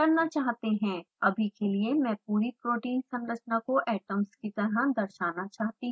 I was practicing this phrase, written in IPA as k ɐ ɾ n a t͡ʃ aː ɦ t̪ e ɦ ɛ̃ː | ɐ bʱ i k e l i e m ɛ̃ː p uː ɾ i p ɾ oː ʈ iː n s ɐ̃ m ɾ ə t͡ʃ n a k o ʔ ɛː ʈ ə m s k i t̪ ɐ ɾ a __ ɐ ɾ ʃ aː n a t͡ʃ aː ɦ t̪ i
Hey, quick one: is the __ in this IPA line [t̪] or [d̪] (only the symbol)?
d̪